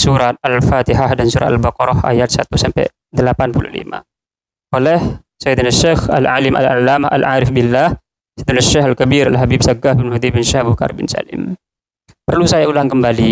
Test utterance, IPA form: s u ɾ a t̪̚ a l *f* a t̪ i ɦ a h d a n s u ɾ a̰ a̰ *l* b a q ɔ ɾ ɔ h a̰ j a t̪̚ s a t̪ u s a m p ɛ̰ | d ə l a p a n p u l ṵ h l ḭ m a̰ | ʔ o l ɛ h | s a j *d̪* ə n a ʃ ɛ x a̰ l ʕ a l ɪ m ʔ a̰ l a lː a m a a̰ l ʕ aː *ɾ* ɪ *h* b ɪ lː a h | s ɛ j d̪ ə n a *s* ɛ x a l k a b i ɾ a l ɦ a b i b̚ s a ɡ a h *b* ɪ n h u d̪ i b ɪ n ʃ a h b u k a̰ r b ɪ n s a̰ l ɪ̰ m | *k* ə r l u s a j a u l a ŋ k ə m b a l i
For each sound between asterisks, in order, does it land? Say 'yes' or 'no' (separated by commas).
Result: yes, yes, yes, yes, no, no, yes, no